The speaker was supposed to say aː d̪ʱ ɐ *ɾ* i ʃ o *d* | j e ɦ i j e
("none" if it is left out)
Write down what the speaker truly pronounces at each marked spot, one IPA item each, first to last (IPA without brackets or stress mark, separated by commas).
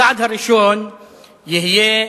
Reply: ɾ, n